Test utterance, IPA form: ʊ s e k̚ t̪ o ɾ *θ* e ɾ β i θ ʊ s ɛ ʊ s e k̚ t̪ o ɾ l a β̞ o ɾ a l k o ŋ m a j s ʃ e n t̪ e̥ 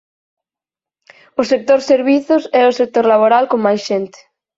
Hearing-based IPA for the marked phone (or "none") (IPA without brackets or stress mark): s